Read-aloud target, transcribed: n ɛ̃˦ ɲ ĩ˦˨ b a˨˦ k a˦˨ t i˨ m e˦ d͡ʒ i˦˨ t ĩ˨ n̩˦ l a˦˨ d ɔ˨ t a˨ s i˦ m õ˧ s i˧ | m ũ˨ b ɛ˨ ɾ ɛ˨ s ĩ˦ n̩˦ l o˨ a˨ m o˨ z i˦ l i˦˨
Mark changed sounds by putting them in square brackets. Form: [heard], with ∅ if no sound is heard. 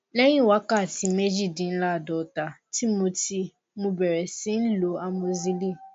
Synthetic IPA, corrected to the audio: n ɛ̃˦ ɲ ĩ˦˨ [w] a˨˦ k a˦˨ t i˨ m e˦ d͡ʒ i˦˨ [d] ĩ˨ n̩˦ l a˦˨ d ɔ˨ t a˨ [t] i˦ m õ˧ [t] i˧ | m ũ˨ b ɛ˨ ɾ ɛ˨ s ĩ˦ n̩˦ l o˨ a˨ m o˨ z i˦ l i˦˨